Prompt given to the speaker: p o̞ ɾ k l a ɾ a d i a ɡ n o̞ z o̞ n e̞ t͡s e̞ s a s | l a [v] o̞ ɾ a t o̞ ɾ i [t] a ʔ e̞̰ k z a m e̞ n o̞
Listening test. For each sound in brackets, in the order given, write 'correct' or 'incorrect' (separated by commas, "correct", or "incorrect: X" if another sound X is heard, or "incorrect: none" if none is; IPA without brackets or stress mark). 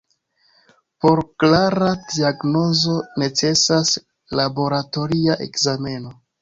incorrect: b, incorrect: none